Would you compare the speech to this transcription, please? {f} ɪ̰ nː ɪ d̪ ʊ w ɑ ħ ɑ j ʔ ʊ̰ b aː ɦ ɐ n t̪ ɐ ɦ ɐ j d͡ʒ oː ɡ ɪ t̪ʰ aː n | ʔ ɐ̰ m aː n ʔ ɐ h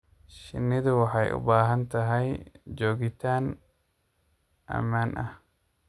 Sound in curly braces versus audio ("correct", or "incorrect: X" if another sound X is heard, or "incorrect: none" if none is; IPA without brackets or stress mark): incorrect: ʃ